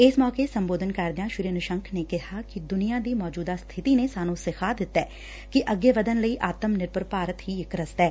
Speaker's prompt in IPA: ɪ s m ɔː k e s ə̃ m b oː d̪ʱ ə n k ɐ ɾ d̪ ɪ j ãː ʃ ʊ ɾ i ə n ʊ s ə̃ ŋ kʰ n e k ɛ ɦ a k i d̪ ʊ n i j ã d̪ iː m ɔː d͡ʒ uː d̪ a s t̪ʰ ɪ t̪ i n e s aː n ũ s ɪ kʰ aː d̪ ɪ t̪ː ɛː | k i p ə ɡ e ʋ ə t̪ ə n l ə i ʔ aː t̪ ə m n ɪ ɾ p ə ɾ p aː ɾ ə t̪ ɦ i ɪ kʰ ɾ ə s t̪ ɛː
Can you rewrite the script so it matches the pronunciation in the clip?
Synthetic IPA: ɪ s m ɔː k e s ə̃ m b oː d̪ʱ ə n k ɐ ɾ d̪ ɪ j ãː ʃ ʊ ɾ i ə n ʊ ʃ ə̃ ŋ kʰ n e k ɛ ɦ a k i d̪ ʊ n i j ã d̪ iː m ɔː d͡ʒ uː d̪ a s t̪ʰ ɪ t̪ i n e s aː n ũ s ɪ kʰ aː d̪ ɪ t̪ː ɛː | k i ʔ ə ɡ e ʋ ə d̪ ə n l ə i ʔ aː t̪ ə m n ɪ ɾ p ə ɾ p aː ɾ ə t̪ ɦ i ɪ k ɾ ə s t̪ ɛː